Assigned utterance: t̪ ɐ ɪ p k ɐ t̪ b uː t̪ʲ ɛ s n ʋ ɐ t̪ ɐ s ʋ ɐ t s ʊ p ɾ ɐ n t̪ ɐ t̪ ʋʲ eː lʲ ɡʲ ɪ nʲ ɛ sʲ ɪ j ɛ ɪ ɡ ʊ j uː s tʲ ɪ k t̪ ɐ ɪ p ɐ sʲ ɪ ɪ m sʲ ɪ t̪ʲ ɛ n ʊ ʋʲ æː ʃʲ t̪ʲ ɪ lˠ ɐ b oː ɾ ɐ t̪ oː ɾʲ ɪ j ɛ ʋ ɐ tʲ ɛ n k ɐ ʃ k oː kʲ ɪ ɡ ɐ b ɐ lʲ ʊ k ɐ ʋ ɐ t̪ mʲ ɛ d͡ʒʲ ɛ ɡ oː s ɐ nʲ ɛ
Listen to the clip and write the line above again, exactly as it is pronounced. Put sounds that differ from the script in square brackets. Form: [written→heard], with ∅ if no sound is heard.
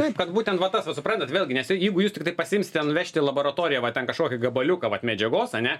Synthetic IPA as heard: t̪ ɐ ɪ p k ɐ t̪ b uː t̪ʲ ɛ [s→∅] n ʋ ɐ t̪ ɐ s ʋ ɐ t s ʊ p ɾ ɐ n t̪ ɐ t̪ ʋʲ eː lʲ ɡʲ ɪ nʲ ɛ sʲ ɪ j ɛ ɪ ɡ ʊ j uː s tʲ ɪ k t̪ ɐ ɪ p ɐ sʲ ɪ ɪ m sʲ ɪ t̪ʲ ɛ n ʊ ʋʲ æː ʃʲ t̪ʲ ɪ lˠ ɐ b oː ɾ ɐ t̪ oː ɾʲ ɪ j ɛ ʋ ɐ tʲ ɛ n k ɐ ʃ k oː kʲ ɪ ɡ ɐ b ɐ lʲ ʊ k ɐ ʋ ɐ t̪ mʲ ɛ d͡ʒʲ ɛ ɡ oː s ɐ nʲ ɛ